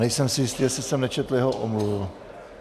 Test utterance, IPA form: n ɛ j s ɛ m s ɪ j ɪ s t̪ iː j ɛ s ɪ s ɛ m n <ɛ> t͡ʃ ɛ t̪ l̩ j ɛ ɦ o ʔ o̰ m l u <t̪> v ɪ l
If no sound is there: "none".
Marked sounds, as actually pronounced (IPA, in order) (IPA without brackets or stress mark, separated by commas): ɛ, none